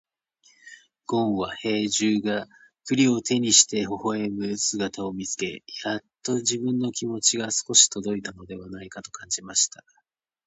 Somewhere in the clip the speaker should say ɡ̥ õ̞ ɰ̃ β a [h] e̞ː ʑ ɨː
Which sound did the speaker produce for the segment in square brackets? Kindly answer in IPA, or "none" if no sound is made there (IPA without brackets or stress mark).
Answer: h